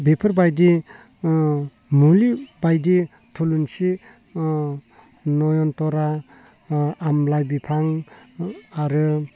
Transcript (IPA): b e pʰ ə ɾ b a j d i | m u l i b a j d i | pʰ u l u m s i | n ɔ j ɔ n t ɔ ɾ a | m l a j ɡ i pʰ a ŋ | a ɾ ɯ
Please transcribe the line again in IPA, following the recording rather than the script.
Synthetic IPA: b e pʰ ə ɾ b a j d i | m u l i b a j d i | tʰ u l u n s i | n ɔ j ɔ n t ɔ ɾ a | m l a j b i pʰ a ŋ | a ɾ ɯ